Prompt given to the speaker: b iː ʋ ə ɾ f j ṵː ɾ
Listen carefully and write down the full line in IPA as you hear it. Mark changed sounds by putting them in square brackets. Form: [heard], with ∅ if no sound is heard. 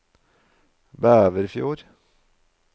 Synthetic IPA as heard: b [æː] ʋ ə ɾ f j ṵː ɾ